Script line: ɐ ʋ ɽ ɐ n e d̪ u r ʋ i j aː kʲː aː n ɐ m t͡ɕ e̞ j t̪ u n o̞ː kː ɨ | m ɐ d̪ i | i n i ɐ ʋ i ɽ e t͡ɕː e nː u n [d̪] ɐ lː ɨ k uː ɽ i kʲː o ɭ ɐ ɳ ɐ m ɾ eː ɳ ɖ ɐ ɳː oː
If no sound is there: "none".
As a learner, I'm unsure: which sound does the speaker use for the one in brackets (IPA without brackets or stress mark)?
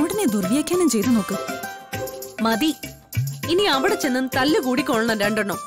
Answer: t̪